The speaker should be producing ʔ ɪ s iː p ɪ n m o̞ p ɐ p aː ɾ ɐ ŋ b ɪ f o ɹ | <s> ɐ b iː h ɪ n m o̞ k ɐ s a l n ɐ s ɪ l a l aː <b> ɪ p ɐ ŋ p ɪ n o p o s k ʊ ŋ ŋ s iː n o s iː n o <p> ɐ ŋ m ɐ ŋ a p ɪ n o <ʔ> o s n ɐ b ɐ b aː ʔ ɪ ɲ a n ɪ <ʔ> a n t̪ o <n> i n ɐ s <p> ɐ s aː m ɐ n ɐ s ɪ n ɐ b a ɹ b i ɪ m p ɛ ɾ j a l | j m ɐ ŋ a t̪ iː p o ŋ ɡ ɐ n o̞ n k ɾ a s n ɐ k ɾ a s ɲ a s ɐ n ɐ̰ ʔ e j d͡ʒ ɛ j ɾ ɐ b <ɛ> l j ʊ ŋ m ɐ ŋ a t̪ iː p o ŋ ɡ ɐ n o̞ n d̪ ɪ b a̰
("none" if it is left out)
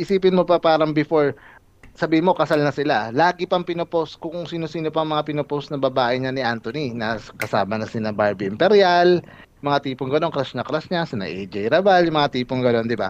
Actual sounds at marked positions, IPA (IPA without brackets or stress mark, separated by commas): s, ɡ, p, p, ʔ, n, k, a